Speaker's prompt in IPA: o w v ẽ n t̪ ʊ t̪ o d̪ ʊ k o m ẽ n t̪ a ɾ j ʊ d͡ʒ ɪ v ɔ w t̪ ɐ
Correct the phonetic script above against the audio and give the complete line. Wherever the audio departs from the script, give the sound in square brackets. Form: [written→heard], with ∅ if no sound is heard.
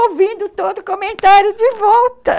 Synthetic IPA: o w v [ẽ→ĩ] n [t̪→d̪] ʊ t̪ o d̪ ʊ k o m ẽ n t̪ a ɾ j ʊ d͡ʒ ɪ v ɔ w t̪ ɐ